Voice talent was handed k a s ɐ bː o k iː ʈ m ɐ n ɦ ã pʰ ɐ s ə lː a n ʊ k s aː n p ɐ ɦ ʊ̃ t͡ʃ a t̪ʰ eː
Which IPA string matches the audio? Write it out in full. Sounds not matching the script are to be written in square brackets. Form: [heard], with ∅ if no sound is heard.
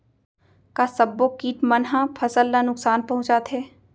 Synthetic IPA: k a s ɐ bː o k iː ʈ m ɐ n ɦ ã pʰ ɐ s ə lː a n ʊ k s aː n p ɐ ɦ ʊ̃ t͡ʃ a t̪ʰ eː